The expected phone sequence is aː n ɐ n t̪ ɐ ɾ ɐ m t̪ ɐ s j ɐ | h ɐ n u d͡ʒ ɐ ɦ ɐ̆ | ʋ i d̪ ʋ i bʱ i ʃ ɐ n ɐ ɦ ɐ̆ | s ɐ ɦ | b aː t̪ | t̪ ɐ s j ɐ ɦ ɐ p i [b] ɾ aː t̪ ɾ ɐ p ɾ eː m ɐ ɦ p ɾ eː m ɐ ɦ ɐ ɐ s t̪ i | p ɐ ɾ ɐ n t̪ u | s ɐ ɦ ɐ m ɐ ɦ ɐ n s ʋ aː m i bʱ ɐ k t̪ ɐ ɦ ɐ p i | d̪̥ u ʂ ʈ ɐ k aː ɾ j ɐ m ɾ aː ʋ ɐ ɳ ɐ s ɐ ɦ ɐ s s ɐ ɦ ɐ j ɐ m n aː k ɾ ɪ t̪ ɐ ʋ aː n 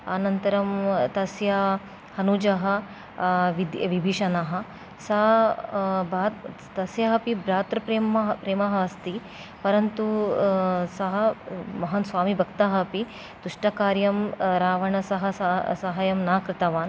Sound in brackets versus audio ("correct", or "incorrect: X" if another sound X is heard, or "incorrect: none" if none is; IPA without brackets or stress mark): correct